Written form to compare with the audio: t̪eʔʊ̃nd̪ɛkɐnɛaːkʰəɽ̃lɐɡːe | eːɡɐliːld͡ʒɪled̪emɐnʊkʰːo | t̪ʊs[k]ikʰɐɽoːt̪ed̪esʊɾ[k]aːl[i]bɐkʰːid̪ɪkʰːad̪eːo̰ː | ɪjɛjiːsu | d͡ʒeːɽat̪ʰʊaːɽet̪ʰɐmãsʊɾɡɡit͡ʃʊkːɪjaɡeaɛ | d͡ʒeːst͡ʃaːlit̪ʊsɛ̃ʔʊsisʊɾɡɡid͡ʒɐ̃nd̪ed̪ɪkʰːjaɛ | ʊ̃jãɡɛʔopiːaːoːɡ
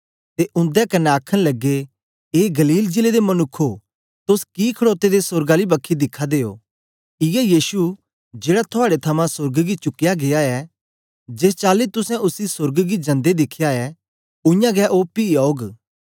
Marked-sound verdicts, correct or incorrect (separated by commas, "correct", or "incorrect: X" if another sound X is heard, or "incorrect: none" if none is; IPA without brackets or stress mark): correct, incorrect: ɡ, correct